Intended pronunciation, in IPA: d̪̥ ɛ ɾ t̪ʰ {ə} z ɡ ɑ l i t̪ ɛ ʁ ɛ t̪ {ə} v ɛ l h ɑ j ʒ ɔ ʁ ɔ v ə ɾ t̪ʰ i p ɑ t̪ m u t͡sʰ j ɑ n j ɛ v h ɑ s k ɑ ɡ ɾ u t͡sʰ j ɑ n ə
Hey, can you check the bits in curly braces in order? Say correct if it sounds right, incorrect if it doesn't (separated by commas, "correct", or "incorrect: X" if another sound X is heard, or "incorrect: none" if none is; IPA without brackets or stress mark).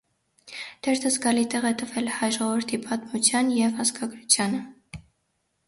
correct, correct